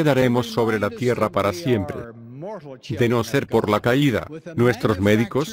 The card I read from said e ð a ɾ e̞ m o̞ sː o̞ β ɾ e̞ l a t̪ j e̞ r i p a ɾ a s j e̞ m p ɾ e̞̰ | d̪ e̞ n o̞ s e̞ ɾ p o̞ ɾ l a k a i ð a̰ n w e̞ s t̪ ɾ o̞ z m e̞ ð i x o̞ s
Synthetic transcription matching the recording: e ð a ɾ e̞ m o̞ sː o̞ β ɾ e̞ l a t̪ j e̞ r a p a ɾ a s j e̞ m p ɾ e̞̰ | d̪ e̞ n o̞ s e̞ ɾ p o̞ ɾ l a k a i ð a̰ n w e̞ s t̪ ɾ o̞ z m e̞ ð i k o̞ s